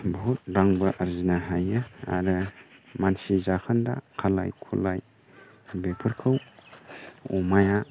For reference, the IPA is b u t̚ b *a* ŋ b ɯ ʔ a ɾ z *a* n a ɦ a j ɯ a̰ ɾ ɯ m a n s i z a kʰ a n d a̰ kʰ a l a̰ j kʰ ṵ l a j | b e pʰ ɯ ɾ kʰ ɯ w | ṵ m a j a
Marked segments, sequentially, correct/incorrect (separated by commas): correct, incorrect